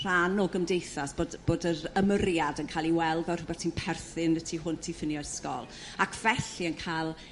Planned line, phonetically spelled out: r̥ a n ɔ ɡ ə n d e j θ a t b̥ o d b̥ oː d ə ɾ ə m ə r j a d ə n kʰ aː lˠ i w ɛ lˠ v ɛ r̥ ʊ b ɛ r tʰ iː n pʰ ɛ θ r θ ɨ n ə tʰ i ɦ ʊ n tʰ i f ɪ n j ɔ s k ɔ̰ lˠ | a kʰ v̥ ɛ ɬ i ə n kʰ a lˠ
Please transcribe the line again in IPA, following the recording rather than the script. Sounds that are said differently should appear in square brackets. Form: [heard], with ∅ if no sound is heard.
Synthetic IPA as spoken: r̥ a n ɔ ɡ ə [m] d e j θ a [s] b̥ o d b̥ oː d ə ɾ ə m ə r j a d ə n kʰ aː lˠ i w ɛ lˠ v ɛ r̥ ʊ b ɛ r tʰ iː n pʰ ɛ [∅] r θ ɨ n ə tʰ i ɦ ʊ n tʰ i f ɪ n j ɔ s k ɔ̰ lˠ | a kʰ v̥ ɛ ɬ i ə n kʰ a lˠ